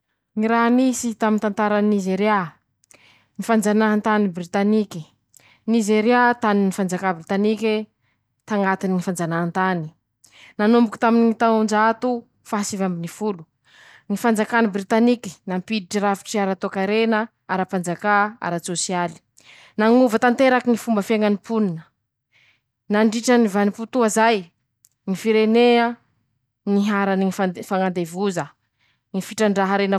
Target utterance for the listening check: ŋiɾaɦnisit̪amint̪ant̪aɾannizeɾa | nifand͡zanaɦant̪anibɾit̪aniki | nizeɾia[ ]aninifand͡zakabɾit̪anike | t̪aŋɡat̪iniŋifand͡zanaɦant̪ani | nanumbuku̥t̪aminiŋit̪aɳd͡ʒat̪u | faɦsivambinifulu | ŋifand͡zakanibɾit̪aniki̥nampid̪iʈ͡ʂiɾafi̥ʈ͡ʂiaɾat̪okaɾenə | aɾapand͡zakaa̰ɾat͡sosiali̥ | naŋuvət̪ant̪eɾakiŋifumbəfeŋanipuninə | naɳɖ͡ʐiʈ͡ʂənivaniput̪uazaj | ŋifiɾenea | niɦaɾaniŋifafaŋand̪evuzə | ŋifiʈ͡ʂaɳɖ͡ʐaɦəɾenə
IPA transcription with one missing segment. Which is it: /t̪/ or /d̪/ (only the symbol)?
t̪